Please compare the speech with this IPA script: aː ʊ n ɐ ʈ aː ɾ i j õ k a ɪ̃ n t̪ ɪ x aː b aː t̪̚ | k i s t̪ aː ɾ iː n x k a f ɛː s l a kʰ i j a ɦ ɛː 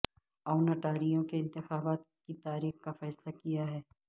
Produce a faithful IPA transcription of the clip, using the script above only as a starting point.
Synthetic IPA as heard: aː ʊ n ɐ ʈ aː ɾ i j õ k e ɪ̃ n t̪ ɪ x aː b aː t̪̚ | k i t̪ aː ɾ iː x k a f ɛː s l a k i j a ɦ ɛː